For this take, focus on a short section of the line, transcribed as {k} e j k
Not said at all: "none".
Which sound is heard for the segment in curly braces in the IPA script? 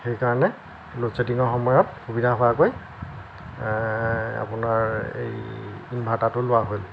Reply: x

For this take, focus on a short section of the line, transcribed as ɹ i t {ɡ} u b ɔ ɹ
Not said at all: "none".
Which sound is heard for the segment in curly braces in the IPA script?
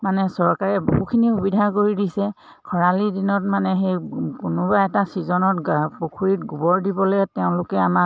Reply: ɡ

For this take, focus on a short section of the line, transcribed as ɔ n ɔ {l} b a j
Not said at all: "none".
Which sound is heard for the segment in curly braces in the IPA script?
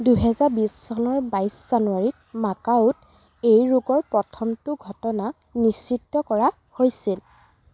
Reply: ɹ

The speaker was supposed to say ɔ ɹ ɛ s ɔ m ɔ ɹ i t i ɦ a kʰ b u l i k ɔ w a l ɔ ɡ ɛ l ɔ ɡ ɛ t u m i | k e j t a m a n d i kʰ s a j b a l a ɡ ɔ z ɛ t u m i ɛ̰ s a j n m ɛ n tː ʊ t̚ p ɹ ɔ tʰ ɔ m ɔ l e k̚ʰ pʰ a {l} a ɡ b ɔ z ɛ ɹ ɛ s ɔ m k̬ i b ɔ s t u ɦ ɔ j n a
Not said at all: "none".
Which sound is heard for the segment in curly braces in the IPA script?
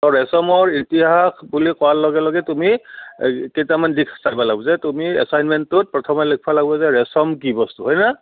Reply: l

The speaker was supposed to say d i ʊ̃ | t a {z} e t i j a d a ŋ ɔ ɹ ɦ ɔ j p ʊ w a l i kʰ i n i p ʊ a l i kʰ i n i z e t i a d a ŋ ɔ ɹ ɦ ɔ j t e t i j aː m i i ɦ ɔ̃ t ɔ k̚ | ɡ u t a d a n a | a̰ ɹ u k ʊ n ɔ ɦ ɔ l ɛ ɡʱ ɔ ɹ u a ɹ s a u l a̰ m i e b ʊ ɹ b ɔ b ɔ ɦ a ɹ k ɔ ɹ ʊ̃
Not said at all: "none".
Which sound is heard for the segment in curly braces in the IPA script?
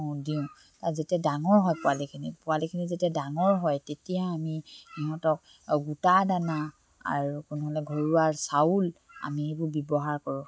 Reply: z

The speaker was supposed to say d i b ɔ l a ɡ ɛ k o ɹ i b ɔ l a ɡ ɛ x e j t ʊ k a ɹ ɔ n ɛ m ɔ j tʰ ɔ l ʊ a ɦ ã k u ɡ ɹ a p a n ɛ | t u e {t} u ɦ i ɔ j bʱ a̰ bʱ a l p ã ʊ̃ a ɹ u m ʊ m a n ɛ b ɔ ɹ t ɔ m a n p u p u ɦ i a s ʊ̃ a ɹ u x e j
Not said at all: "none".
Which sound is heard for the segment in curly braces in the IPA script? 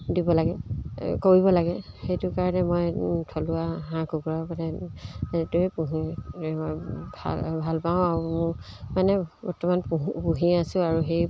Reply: p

